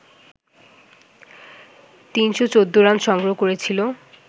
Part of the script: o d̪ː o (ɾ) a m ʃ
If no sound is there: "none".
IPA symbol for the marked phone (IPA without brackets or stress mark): ɾ